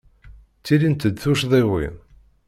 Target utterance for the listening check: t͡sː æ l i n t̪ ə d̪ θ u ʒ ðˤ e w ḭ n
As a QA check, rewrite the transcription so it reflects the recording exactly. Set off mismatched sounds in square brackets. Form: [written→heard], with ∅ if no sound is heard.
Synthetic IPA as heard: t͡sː [æ→i] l i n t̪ ə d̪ θ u [ʒ→ʃ] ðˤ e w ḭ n